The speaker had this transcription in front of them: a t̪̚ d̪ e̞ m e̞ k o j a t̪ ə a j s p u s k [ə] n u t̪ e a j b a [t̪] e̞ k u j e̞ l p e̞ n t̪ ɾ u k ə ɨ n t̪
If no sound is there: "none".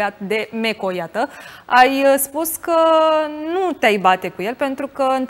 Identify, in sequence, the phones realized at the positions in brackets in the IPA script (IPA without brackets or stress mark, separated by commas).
ə, t̪